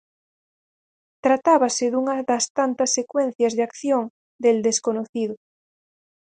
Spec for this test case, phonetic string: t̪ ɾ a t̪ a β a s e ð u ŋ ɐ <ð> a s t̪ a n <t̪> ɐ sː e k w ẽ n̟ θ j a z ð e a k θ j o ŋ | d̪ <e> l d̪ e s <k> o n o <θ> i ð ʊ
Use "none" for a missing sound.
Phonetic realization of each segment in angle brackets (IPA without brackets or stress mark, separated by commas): ð, t̪, e, k, θ